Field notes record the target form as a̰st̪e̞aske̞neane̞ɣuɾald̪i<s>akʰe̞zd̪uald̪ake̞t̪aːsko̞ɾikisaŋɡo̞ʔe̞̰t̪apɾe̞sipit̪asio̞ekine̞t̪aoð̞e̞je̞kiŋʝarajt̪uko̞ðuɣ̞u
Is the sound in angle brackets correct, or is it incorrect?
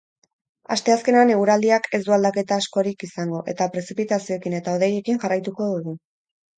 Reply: incorrect